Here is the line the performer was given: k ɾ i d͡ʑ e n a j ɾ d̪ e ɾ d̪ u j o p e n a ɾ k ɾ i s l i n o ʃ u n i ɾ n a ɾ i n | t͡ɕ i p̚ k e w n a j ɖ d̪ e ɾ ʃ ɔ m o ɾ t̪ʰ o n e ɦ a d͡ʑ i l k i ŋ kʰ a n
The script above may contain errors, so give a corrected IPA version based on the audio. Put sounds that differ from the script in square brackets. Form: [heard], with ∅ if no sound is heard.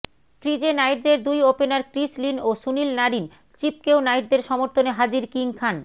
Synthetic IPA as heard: k ɾ i d͡ʑ e n a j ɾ d̪ e ɾ d̪ u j o p e n a ɾ k ɾ i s l i n o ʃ u n i [l] n a ɾ i n | t͡ɕ i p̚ k e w n a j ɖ d̪ e ɾ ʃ ɔ m o ɾ t̪ʰ o n e ɦ a d͡ʑ i [ɾ] k i ŋ kʰ a n